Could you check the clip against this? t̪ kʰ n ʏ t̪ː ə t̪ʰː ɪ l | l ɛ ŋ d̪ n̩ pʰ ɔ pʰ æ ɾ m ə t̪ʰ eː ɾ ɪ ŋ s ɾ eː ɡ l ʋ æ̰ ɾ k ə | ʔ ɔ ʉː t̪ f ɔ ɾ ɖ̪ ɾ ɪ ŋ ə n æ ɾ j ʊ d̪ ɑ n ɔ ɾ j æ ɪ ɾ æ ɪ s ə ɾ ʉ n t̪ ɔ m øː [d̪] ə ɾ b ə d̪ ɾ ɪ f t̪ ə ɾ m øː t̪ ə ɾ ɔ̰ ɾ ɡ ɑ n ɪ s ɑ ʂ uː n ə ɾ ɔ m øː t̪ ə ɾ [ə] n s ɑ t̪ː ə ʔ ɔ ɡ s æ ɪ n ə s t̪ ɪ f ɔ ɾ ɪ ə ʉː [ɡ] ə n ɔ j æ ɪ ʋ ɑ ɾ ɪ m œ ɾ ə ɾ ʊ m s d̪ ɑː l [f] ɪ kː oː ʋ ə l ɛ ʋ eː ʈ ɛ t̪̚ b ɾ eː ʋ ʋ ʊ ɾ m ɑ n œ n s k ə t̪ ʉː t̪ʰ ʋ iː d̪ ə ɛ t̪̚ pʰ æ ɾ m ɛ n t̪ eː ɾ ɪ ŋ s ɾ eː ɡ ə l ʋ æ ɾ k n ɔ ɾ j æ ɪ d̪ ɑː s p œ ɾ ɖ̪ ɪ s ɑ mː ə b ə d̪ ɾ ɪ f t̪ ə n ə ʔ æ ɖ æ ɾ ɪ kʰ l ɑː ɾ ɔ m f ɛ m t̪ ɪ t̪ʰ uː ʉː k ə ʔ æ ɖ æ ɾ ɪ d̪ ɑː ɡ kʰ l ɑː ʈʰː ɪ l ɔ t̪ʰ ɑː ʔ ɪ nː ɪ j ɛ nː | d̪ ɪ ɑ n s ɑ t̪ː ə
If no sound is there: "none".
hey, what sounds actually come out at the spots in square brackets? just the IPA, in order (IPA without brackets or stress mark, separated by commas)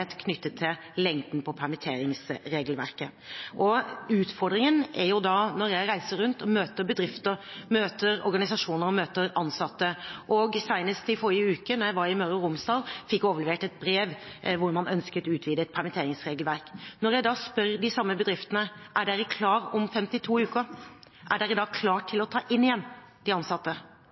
t̪, ɑ, k, f